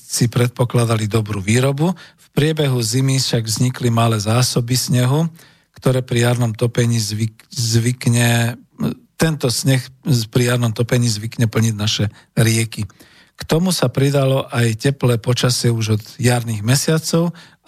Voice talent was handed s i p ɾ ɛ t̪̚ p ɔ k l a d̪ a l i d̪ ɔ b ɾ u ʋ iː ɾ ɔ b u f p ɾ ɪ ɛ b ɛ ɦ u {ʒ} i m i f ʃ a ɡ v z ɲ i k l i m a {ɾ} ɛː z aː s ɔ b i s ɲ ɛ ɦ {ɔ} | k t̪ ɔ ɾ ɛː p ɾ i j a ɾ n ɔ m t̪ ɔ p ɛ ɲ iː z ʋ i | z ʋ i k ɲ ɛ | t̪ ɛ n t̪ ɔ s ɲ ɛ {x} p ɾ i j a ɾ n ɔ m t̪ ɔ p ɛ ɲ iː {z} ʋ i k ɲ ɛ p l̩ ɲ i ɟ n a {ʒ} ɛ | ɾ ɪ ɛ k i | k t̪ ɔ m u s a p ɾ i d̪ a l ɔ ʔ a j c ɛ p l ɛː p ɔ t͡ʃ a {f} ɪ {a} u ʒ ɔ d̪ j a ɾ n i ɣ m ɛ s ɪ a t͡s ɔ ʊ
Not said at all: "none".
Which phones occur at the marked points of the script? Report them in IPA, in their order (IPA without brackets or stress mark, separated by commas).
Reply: z, l, u, x, z, ʃ, s, ɛ